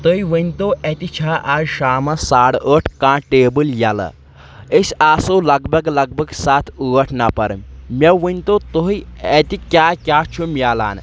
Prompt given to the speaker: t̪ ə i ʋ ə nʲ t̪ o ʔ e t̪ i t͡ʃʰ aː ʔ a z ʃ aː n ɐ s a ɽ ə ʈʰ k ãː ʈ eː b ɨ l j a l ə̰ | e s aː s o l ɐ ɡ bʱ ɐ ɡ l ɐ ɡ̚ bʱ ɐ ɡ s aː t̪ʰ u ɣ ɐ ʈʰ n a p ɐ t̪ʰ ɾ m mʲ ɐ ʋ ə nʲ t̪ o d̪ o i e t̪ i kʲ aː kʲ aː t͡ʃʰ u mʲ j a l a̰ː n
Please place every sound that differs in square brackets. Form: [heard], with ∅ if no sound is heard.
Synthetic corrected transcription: t̪ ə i ʋ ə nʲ t̪ o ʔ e t̪ i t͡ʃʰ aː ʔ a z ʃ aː [m] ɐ s a ɽ ə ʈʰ k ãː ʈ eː b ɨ l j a l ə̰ | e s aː s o l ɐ ɡ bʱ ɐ ɡ l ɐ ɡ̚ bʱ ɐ ɡ s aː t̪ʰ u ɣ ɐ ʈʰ n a p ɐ [∅] ɾ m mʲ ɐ ʋ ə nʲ t̪ o [t̪] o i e t̪ i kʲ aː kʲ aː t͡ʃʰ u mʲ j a l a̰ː n